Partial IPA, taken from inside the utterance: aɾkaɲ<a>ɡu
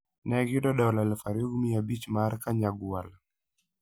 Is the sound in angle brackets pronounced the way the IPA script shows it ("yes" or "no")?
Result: yes